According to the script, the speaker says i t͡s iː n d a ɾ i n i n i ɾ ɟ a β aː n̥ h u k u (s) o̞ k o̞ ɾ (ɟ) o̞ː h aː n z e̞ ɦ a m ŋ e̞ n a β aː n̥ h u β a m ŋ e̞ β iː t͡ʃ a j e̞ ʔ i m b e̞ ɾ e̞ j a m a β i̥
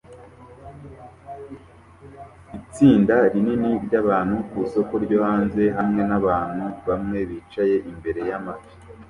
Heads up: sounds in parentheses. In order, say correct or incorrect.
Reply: correct, correct

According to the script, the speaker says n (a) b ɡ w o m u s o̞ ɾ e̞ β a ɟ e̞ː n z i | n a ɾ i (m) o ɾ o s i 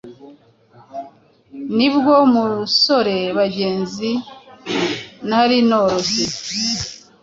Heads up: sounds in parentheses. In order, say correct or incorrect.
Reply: incorrect: i, incorrect: n

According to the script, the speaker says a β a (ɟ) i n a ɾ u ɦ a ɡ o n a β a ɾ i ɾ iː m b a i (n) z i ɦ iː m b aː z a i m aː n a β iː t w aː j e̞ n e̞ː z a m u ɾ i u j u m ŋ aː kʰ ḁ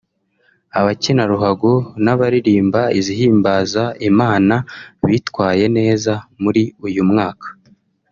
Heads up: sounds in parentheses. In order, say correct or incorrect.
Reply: incorrect: c, incorrect: none

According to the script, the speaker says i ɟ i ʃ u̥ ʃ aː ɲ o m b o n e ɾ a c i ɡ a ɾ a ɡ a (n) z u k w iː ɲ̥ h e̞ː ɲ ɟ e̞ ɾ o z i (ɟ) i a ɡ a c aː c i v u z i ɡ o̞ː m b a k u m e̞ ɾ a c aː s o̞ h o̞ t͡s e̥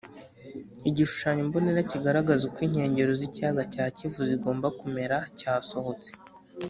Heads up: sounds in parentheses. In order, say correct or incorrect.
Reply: incorrect: none, incorrect: c

